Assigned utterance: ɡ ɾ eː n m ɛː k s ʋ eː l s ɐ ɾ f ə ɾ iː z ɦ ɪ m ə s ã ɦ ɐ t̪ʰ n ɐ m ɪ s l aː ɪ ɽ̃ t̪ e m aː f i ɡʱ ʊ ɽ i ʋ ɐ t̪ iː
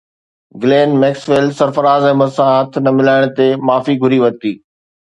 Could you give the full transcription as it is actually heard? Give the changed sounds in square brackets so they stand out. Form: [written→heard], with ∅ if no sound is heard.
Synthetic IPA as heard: ɡ [ɾ→l] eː n m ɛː k s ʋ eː l s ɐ ɾ f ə ɾ [iː→aː] z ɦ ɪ m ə s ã ɦ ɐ t̪ʰ n ɐ m ɪ [s→∅] l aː ɪ ɽ̃ t̪ e m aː f i ɡʱ ʊ [ɽ→ɾ] i ʋ ɐ t̪ iː